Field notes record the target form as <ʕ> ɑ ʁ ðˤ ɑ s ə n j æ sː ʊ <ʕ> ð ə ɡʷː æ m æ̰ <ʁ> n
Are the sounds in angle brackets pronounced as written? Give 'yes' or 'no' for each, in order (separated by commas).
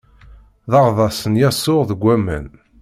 no, no, no